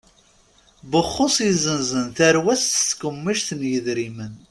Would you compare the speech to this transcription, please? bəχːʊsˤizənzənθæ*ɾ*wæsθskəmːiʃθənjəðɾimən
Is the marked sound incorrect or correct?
correct